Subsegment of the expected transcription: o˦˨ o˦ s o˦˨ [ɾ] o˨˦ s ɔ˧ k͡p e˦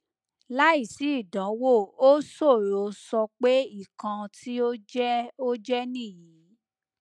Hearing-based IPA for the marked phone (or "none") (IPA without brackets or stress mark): ɾ